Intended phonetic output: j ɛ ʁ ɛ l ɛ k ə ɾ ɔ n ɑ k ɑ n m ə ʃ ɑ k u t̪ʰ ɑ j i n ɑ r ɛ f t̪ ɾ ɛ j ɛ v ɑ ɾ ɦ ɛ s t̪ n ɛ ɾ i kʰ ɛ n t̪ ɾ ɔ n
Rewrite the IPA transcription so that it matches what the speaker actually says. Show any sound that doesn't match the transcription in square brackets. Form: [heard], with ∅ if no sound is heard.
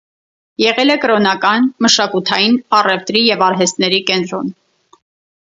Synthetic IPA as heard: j ɛ ʁ ɛ l ɛ k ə ɾ ɔ n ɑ k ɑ n m ə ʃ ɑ k u t̪ʰ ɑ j i n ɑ r ɛ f t̪ ɾ [i] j ɛ v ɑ ɾ ɦ ɛ s t̪ n ɛ ɾ i [k] ɛ n t̪ ɾ ɔ n